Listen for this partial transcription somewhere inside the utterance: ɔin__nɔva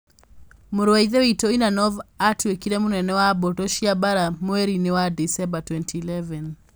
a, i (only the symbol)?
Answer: a